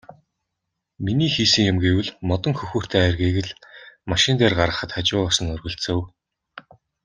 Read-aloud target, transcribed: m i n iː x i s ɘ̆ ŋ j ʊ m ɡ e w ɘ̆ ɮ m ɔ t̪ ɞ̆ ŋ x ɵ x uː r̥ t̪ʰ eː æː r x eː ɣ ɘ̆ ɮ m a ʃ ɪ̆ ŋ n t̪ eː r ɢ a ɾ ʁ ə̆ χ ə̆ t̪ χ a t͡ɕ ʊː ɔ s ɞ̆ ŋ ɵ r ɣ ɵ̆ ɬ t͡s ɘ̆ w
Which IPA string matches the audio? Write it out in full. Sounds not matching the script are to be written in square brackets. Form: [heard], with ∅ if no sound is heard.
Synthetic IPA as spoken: m i n iː x [iː] s ɘ̆ ŋ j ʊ m ɡ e w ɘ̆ ɮ m ɔ t̪ ɞ̆ ŋ x ɵ x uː r̥ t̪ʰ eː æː r [ɣ] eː ɣ ɘ̆ ɮ m a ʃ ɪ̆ [∅] n t̪ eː r ɢ a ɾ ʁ ə̆ χ ə̆ t̪ χ a t͡ɕ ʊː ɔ s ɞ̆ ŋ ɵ r ɣ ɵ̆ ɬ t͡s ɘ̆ w